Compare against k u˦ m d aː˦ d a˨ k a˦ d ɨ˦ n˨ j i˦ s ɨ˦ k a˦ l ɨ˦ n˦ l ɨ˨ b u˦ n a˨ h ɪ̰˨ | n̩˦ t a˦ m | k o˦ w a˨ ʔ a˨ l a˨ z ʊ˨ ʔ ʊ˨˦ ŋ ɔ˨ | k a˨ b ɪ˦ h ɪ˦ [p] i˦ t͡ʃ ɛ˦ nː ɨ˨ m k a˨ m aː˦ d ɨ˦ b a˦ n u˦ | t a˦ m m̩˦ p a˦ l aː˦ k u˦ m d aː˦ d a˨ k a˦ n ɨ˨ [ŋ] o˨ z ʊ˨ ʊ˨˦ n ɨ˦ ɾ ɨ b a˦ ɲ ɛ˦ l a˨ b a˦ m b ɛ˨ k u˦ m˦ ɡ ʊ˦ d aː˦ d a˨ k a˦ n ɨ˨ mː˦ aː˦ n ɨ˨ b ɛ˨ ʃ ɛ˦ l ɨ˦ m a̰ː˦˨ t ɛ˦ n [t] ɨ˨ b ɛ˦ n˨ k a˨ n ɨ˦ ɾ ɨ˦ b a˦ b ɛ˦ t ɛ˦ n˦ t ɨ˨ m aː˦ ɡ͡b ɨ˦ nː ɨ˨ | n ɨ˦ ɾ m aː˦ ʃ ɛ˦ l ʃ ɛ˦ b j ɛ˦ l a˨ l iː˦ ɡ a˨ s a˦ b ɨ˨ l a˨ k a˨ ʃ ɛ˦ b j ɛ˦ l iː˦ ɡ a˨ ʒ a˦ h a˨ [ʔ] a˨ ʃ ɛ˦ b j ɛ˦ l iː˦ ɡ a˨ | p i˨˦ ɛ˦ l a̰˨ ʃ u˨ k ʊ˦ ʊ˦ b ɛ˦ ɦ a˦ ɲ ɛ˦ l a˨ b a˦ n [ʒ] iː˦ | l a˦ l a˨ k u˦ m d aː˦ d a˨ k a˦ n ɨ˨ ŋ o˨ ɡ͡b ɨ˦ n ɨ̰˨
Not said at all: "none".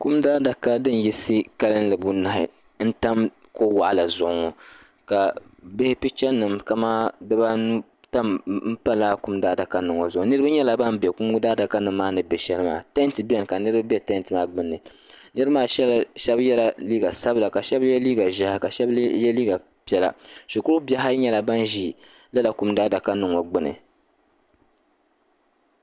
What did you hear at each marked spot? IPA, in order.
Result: p, ŋ, t, k, ʒ

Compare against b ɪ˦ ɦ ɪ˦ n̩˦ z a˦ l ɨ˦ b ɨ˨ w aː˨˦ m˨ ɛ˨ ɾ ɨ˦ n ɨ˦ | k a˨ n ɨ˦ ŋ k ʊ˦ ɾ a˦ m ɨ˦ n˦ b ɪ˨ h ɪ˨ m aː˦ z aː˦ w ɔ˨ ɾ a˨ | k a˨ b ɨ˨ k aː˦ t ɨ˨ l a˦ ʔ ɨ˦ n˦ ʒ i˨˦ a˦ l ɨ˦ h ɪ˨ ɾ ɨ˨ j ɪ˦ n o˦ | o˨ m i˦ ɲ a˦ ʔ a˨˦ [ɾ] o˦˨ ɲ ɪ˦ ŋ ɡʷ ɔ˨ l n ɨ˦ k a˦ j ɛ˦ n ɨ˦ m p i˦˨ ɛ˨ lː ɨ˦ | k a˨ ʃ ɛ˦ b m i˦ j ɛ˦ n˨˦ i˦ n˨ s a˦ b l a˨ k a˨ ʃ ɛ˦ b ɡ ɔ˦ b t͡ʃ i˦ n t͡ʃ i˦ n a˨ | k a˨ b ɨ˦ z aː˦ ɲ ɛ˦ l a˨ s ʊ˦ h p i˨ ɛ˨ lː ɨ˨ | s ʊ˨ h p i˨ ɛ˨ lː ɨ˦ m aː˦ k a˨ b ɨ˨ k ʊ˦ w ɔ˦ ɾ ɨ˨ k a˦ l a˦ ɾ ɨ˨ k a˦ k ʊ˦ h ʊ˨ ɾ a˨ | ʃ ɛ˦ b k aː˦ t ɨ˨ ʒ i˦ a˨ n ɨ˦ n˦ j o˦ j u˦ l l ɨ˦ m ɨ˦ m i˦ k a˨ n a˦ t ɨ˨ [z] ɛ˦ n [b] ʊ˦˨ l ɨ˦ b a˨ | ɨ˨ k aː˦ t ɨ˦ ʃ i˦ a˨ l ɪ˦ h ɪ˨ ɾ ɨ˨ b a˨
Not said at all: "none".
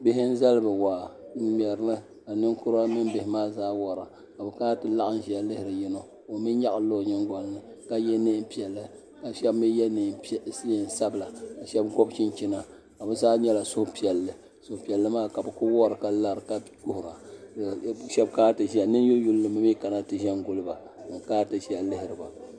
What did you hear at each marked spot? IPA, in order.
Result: l, ʒ, ɡ

